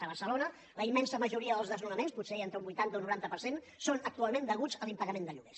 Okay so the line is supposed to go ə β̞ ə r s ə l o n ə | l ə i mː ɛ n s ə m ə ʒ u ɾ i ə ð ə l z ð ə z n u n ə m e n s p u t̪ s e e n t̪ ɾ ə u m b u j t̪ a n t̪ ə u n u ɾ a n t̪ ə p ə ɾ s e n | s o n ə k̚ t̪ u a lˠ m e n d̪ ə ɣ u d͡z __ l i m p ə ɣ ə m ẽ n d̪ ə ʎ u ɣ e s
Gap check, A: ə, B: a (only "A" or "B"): A